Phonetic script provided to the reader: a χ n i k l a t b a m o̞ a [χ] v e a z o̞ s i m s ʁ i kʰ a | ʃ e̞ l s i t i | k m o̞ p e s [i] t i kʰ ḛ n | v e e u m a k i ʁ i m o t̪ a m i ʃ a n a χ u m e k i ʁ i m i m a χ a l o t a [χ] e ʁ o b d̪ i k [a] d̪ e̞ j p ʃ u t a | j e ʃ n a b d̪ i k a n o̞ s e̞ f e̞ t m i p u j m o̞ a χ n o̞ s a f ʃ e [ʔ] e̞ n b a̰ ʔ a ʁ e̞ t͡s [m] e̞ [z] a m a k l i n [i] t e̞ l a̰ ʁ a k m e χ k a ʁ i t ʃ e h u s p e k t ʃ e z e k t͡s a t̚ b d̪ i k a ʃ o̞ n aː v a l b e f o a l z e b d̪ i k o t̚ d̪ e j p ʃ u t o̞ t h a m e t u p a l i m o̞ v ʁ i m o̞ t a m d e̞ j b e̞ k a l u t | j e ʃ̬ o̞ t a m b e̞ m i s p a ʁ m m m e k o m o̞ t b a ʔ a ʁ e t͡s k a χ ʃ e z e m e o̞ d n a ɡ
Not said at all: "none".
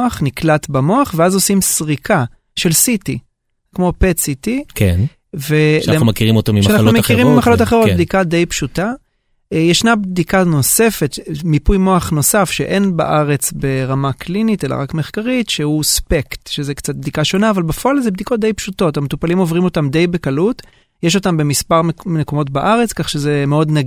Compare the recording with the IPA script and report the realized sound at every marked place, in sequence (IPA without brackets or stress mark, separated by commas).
χ, i, χ, a, ʔ, b, ʁ, i